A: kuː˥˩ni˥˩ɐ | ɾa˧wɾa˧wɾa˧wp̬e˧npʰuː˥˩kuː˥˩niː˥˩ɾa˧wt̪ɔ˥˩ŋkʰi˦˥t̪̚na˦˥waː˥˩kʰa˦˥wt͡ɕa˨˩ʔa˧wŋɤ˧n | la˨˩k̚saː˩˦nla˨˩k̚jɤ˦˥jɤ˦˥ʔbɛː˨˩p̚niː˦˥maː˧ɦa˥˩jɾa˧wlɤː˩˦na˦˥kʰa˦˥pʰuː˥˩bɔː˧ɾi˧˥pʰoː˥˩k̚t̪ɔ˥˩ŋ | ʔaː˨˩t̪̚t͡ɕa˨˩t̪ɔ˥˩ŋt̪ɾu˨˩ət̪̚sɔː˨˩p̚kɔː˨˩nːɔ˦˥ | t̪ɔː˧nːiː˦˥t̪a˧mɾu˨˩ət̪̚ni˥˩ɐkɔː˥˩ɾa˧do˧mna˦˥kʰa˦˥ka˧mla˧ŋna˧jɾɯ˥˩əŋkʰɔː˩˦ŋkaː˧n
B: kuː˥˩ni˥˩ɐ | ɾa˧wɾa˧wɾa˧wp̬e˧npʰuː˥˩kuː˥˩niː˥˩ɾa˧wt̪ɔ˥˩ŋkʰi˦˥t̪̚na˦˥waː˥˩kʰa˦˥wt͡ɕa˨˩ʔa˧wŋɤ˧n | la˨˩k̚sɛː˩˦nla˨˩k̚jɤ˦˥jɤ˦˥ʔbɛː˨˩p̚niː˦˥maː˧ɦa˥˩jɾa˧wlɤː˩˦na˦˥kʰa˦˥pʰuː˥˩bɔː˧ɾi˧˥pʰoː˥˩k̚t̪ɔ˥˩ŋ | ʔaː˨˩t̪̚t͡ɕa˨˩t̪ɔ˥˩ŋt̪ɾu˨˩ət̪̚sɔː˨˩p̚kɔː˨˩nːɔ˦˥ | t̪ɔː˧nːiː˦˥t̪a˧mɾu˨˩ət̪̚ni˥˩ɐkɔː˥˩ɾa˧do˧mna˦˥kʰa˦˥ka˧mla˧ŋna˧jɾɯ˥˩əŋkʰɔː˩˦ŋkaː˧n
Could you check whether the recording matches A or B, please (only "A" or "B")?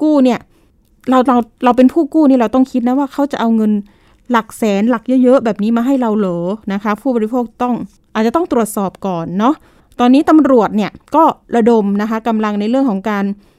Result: B